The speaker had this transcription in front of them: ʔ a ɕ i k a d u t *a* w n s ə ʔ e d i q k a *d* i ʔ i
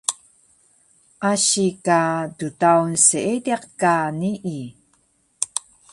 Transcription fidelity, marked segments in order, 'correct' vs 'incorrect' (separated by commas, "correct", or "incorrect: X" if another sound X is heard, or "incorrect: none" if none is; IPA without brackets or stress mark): correct, incorrect: n